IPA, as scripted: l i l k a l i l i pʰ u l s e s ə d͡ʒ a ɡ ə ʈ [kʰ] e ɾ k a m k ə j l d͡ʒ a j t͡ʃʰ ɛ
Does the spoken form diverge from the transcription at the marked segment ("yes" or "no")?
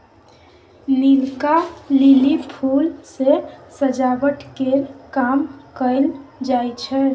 yes